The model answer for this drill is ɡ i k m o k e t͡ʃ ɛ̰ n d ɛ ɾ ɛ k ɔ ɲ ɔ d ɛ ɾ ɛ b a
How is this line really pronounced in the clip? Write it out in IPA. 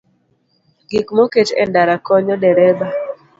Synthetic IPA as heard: ɡ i k m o k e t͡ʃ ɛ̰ n d a ɾ a k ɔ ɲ ɔ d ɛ ɾ ɛ b a